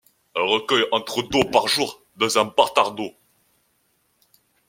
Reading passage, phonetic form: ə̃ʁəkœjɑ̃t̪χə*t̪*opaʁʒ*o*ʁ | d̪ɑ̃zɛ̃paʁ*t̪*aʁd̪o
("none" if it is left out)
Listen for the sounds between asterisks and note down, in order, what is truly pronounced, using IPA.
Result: d̪, u, t̪

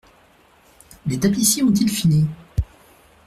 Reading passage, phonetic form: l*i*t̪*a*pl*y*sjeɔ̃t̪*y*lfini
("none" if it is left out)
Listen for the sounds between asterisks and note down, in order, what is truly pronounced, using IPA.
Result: e, a, i, i

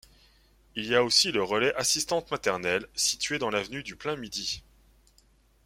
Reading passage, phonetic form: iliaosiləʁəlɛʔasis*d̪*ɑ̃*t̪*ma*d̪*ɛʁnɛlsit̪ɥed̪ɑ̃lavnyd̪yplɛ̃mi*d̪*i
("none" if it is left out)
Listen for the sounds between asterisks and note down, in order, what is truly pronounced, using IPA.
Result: t̪, t̪, t̪, d̪

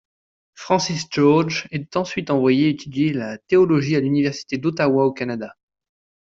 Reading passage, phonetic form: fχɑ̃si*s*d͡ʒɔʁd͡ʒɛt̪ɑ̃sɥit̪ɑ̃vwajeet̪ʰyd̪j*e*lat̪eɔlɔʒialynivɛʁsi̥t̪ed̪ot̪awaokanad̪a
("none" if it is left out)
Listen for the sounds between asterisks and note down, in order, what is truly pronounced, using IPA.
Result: s, e

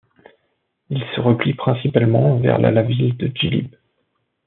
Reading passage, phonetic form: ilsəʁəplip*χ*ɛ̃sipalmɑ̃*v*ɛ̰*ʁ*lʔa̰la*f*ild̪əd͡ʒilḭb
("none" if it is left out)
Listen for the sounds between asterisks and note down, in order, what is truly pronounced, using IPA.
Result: χ, v, ʁ, v

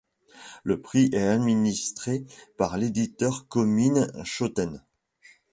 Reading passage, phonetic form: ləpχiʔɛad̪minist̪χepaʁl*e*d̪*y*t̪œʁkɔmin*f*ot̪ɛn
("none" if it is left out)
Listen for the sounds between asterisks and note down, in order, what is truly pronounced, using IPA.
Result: e, i, ʃ

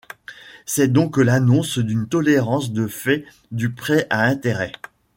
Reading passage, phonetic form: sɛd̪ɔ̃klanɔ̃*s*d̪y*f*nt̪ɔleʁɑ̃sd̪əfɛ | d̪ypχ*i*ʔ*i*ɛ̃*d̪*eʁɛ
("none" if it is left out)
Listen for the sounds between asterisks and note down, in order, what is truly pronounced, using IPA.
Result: s, none, ɛ, a, t̪

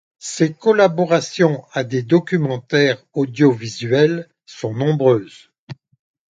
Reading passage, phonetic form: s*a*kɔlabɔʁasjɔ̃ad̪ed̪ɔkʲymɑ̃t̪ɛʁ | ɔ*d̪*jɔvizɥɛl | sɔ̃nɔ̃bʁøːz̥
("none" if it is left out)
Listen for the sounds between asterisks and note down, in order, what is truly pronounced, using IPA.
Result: e, d̪

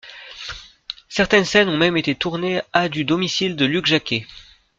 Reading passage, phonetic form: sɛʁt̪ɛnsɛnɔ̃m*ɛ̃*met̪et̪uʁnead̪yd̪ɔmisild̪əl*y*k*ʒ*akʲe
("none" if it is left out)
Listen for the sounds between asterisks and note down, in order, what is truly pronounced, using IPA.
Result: ɛ, y, ʒ

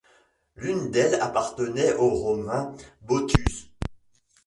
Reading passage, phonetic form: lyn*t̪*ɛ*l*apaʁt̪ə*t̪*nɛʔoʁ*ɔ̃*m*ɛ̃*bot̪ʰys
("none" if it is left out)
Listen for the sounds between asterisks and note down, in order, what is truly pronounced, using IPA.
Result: d̪, l, none, ɔ, ɛ̃

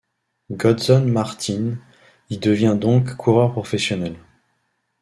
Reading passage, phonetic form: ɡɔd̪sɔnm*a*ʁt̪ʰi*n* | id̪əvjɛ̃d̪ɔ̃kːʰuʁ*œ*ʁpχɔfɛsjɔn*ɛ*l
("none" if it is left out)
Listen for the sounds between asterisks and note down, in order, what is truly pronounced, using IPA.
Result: a, n, œ, ɛ

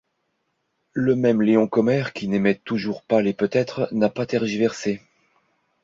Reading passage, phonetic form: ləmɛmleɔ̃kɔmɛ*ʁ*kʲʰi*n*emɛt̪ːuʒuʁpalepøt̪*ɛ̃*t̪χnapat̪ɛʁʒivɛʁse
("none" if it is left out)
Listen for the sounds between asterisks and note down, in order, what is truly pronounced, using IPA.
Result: ʁ, n, ɛ

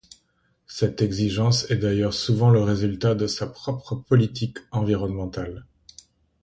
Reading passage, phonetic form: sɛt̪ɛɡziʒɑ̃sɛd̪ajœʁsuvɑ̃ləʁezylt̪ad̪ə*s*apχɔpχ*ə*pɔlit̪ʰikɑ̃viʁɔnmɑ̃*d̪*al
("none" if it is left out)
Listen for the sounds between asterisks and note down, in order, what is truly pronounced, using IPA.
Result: s, ə, t̪

